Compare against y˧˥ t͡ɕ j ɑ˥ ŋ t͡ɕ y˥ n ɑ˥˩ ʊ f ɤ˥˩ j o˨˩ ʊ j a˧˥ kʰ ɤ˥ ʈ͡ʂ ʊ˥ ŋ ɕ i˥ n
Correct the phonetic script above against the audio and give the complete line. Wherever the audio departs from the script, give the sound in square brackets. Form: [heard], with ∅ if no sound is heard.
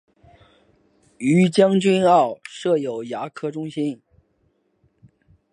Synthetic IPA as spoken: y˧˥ t͡ɕ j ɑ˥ ŋ t͡ɕ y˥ n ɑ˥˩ ʊ [ʂ] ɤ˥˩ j o˨˩ ʊ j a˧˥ kʰ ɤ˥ ʈ͡ʂ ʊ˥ ŋ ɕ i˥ n